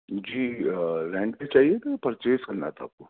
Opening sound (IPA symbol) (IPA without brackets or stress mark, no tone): d͡ʒ